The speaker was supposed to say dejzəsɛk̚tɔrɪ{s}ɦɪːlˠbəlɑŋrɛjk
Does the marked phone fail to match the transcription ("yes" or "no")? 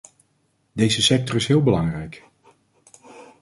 no